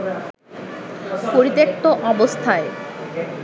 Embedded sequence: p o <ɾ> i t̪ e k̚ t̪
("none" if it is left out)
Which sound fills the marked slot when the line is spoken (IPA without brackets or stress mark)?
ɾ